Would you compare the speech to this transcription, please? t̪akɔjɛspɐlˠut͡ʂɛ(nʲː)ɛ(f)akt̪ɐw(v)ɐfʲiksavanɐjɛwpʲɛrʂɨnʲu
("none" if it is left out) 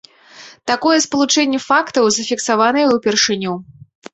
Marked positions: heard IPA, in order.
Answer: nʲː, f, z

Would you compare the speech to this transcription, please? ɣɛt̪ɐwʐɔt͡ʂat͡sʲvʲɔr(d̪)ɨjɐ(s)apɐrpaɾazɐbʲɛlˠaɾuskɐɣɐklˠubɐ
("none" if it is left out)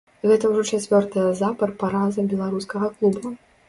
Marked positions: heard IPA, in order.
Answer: t̪, z

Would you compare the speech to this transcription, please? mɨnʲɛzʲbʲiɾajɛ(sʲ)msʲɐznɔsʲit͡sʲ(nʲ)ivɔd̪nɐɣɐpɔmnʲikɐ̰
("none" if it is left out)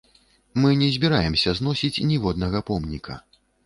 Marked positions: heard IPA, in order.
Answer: none, nʲ

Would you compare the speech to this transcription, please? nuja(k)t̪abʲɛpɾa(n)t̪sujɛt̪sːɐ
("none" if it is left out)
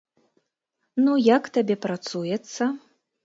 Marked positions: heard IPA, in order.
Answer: k, none

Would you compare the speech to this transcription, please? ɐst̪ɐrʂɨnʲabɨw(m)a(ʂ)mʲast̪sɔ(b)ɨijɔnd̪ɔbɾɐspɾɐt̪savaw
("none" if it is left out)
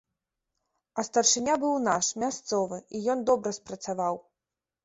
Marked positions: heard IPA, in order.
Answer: n, ʂ, v

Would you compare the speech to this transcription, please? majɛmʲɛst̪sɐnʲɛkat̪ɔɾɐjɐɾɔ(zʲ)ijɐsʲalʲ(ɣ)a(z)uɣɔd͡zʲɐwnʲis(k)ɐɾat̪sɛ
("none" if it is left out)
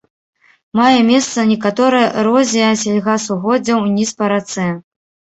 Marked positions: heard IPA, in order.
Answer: zʲ, ɣ, s, p

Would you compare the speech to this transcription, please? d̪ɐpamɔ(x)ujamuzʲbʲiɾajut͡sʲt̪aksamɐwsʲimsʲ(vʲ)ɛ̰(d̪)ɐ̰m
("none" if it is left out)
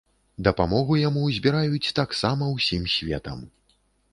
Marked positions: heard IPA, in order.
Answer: ɣ, vʲ, t̪

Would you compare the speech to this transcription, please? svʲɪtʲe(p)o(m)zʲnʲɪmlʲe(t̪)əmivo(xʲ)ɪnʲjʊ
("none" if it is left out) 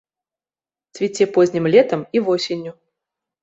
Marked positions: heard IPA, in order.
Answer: p, none, t̪, sʲ

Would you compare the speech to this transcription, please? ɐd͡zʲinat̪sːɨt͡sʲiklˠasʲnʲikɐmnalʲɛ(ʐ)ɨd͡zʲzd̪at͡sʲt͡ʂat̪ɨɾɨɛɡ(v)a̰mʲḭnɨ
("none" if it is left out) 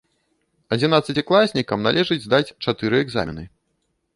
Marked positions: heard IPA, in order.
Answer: ʐ, z

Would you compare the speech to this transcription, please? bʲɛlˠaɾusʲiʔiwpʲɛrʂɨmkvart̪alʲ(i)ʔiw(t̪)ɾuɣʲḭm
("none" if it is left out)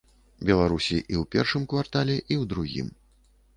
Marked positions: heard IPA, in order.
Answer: ɛ, d̪

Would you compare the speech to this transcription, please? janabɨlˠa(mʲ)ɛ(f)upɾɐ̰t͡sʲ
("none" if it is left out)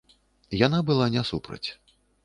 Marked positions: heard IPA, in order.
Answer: nʲ, s

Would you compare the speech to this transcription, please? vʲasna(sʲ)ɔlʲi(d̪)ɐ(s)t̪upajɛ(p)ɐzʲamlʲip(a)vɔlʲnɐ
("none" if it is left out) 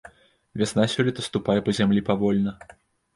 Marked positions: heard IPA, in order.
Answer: sʲ, t̪, s, p, a

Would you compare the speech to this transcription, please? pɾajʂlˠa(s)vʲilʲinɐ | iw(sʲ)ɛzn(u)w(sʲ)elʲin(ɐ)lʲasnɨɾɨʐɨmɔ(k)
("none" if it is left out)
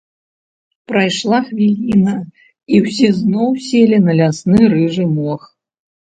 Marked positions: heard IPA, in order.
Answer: x, sʲ, ɔ, sʲ, ɐ, x

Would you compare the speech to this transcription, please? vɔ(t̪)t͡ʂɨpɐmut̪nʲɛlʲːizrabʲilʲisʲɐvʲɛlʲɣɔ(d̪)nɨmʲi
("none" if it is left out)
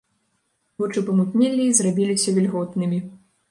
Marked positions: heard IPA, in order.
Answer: none, t̪

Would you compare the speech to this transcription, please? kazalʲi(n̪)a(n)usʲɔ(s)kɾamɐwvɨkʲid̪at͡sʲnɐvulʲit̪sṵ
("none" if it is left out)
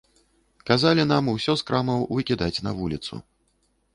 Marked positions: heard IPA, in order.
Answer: n̪, m, s

